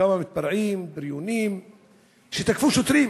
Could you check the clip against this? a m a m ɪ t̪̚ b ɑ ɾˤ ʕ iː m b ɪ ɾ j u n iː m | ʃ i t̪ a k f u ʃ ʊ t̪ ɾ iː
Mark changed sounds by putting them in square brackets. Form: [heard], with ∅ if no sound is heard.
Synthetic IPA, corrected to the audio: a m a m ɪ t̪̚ b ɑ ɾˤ ʕ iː m b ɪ ɾ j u n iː m | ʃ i t̪ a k f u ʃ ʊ t̪ ɾ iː